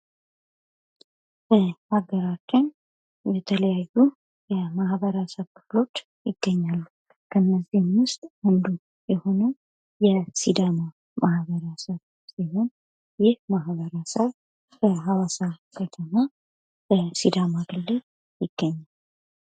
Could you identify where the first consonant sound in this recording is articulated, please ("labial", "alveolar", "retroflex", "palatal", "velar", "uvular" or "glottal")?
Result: labial